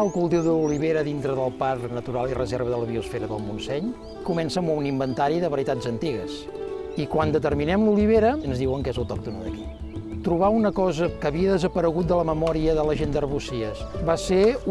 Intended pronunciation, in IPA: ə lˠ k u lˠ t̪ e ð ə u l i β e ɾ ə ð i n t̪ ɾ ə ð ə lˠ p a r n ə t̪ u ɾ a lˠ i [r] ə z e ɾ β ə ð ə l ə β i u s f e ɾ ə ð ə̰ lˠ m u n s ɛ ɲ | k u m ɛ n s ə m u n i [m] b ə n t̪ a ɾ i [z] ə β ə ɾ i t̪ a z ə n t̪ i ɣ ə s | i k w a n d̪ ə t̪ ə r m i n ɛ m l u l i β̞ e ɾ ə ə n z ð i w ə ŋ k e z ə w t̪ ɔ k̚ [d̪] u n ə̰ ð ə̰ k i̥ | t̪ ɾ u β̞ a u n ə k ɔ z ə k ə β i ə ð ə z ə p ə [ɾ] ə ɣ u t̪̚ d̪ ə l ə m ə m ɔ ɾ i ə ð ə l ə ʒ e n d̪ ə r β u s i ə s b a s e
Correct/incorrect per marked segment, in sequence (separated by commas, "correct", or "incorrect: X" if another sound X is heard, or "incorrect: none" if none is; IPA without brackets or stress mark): correct, correct, incorrect: ð, incorrect: t̪, correct